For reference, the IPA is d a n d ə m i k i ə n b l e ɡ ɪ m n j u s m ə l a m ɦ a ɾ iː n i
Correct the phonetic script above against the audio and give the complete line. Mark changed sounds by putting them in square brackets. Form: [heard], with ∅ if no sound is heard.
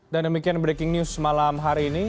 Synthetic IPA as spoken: d a n d ə m i k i [a] n b [ɾ] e [k] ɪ [ŋ] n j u s m [a] l a m ɦ a ɾ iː n i

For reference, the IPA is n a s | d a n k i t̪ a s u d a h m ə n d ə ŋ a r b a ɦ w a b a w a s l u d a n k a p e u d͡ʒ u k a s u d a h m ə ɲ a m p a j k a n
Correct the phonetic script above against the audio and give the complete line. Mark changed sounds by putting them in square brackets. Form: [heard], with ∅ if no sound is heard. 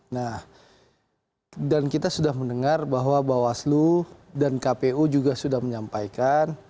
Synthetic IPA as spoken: n a [h] | d a n k i t̪ a s u d a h m ə n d ə ŋ a r b a ɦ w a b a w a s l u d a n k a p e u d͡ʒ u [ɡ] a s u d a h m ə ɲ a m p a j k a n

